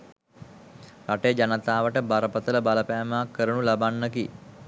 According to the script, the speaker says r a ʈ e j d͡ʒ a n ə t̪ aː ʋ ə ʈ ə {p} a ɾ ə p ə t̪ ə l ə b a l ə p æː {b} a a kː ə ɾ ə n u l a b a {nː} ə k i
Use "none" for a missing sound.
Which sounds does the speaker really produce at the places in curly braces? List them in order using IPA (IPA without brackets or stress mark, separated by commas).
b, m, nː